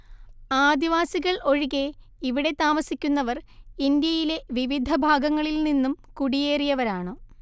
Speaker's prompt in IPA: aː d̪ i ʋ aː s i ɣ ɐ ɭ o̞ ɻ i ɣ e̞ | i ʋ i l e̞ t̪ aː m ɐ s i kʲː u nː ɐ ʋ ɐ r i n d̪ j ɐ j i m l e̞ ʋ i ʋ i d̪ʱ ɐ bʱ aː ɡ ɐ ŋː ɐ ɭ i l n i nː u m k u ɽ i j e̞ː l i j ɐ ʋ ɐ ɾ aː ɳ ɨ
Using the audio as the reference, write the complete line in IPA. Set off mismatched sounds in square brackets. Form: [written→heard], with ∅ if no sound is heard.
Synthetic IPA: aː d̪ i ʋ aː s i ɣ ɐ ɭ o̞ ɻ i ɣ e̞ | i ʋ i [l→ɽ] e̞ t̪ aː m ɐ s i kʲː u nː ɐ ʋ ɐ r i n d̪ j ɐ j i [m→∅] l e̞ ʋ i ʋ i d̪ʱ ɐ bʱ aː ɡ ɐ ŋː ɐ ɭ i l n i nː u m k u ɽ i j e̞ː [l→r] i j ɐ ʋ ɐ ɾ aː ɳ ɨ